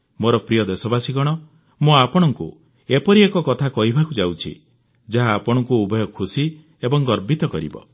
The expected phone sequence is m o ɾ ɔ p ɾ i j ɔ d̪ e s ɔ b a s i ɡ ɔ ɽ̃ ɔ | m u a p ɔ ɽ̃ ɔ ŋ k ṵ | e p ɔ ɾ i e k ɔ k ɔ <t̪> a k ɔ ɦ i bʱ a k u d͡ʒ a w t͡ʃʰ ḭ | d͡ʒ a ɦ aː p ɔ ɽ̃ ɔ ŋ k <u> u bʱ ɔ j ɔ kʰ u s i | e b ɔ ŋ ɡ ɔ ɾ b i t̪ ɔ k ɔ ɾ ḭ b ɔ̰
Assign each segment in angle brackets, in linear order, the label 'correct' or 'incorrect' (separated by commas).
incorrect, correct